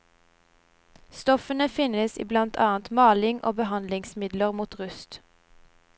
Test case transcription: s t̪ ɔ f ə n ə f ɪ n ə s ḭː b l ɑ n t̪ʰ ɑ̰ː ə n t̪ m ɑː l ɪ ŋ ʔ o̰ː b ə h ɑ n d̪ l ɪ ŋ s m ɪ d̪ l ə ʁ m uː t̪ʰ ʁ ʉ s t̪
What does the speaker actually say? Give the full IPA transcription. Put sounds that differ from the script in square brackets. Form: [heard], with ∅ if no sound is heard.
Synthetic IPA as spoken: s t̪ ɔ f ə n ə f ɪ n ə s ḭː b l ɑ n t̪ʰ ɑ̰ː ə n t̪ m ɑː l ɪ ŋ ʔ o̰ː b ə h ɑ n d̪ l ɪ ŋ s m ɪ d̪ l ə ʁ m uː [t̪] ʁ ʉ s t̪